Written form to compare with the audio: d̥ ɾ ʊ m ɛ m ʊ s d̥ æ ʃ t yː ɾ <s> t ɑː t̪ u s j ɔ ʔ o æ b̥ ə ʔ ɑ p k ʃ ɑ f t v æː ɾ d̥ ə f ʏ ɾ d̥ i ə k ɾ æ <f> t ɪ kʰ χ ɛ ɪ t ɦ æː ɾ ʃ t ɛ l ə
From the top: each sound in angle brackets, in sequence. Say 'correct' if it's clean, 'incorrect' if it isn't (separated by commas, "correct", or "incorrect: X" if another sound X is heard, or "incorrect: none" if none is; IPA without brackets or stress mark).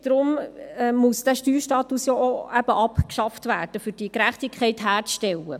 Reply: incorrect: ʃ, incorrect: χ